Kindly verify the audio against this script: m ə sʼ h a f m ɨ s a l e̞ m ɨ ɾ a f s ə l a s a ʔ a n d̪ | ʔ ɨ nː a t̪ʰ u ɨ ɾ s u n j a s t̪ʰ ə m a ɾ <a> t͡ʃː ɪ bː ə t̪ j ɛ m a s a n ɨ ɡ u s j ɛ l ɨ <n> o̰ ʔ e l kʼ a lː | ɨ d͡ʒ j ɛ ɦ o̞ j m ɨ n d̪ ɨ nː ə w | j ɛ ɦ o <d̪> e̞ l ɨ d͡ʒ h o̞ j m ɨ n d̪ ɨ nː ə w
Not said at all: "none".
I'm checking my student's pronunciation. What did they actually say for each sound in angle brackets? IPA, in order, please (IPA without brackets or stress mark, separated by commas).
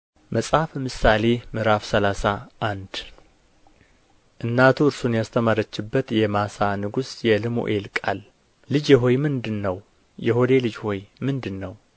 ə, m, d̪